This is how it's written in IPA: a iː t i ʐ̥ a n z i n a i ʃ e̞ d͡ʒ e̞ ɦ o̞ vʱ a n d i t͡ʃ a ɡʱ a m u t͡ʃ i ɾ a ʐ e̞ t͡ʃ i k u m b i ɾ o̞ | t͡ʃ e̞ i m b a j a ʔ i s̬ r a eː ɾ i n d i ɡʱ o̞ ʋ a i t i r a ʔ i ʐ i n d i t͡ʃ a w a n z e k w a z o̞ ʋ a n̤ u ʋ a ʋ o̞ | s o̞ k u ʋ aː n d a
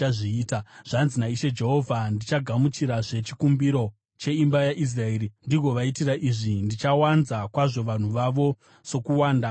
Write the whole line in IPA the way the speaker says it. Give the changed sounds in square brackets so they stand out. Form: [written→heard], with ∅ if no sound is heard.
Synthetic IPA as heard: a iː t [i→a] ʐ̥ a n z i n a i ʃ e̞ d͡ʒ e̞ ɦ o̞ vʱ a n d i t͡ʃ a ɡʱ a m u t͡ʃ i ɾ a ʐ e̞ t͡ʃ i k u m b i ɾ o̞ | t͡ʃ e̞ i m b a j a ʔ i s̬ r a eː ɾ i n d i ɡʱ o̞ ʋ a i t i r a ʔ i ʐ i n d i t͡ʃ a w a n z [e→a] k w a [z→ʐ] o̞ ʋ a n̤ u ʋ a ʋ o̞ | s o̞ k u [ʋ→w] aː n d a